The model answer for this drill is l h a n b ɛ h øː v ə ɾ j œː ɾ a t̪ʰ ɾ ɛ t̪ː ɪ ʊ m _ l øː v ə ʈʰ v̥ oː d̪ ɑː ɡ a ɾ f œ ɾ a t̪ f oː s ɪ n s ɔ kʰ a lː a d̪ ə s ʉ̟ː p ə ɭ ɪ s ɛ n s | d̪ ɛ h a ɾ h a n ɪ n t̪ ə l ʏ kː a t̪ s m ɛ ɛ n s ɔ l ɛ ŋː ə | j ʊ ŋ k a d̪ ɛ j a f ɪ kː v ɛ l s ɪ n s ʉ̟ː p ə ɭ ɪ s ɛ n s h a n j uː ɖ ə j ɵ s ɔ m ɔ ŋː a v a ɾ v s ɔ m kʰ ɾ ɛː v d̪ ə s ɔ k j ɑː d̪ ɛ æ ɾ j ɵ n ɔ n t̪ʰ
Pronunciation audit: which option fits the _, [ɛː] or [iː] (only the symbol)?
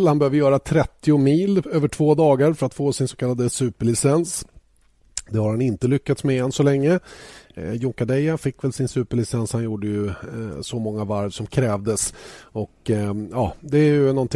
iː